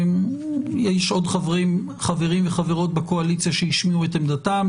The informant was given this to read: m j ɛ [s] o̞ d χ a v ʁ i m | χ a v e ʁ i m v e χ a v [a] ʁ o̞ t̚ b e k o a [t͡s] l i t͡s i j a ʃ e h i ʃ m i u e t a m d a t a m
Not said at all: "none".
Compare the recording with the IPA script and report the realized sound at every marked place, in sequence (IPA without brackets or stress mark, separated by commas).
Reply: ʃ, e, none